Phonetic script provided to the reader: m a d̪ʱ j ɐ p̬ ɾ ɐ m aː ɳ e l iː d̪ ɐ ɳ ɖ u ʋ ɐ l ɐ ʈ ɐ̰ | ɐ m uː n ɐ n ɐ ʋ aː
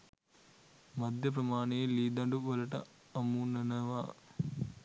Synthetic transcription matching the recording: m ɐ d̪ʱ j ɐ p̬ ɾ ɐ m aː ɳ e l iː d̪ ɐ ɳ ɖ u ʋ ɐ l ɐ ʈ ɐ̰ | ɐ m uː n ɐ n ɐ ʋ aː